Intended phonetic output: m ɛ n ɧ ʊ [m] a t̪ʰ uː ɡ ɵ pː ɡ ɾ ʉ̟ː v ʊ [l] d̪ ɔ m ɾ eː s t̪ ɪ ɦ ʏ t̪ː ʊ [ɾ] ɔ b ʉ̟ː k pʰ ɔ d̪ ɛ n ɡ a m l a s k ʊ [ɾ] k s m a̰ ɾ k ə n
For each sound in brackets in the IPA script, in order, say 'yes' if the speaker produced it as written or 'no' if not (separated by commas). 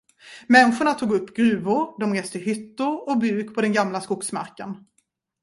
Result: no, no, yes, no